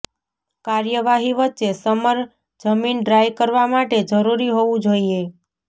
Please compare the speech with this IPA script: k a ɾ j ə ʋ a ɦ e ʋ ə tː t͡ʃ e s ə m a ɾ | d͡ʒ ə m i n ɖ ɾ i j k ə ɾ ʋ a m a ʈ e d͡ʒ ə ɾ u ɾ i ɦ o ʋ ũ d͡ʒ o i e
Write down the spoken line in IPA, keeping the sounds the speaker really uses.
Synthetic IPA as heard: k a ɾ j ə ʋ a ɦ i ʋ ə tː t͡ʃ e s ə m ə ɾ | d͡ʒ ə m i n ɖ ɾ a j k ə ɾ ʋ a m a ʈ e d͡ʒ ə ɾ u ɾ i ɦ o ʋ ũ d͡ʒ o i e